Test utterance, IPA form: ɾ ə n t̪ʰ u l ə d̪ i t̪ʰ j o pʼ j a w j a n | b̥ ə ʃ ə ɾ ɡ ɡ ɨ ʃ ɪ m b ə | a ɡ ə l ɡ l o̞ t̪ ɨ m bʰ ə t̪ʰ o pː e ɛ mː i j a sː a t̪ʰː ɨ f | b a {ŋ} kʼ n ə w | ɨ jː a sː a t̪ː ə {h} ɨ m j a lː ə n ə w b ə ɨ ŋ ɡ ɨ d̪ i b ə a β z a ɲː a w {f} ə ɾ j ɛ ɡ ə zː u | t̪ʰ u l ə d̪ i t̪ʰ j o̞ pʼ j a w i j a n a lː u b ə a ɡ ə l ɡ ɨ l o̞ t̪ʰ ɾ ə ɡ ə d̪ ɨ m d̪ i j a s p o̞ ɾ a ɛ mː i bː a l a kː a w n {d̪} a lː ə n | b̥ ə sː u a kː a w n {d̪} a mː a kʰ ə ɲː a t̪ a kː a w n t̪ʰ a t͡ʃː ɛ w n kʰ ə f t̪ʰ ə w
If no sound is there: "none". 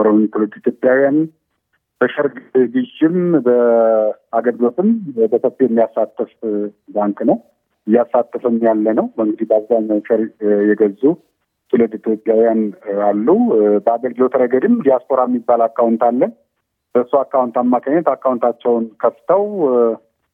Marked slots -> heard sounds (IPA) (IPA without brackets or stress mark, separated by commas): ŋ, f, ʃ, t̪, t̪